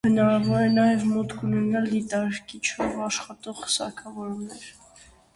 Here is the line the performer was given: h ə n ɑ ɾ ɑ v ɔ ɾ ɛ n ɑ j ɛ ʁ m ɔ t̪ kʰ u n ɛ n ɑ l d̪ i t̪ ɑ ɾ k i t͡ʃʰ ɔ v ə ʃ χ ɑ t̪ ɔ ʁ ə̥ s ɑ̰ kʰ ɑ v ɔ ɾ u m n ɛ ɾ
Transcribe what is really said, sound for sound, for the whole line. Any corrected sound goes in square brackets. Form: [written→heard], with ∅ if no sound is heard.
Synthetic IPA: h ə n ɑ ɾ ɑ v ɔ ɾ ɛ n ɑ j ɛ [ʁ→v] m ɔ t̪ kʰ u n ɛ n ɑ l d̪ i t̪ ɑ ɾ k i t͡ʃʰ ɔ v [ə→ɑ] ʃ χ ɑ t̪ ɔ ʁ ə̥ s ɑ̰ kʰ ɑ v ɔ ɾ u m n ɛ ɾ

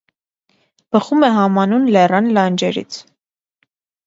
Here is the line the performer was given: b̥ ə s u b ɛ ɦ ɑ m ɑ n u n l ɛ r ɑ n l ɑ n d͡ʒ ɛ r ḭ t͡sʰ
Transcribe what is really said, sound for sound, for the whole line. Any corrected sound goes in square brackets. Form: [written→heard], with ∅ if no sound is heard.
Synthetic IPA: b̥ ə [s→χ] u [b→m] ɛ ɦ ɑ m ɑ n u n l ɛ r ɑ n l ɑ n d͡ʒ ɛ [r→ɾ] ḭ t͡sʰ

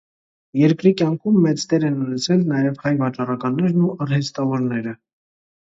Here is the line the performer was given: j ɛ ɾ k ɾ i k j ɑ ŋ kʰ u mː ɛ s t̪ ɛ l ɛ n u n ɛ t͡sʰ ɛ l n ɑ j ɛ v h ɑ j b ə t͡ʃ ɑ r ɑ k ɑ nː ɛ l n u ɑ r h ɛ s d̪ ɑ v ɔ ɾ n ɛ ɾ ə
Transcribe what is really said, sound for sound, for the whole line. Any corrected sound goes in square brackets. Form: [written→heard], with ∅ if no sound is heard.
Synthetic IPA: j ɛ ɾ k ɾ i k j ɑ ŋ kʰ u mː ɛ [s→t͡s] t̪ ɛ [l→ɾ] ɛ n u n ɛ t͡sʰ ɛ l n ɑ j ɛ v h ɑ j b [ə→ɑ] t͡ʃ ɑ r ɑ k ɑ nː ɛ [l→ɾ] n u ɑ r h ɛ s [d̪→t̪] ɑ v ɔ ɾ n ɛ ɾ ə

